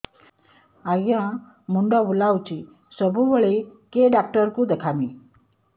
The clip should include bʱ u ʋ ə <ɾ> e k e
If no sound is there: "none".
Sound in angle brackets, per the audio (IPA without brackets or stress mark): ɭ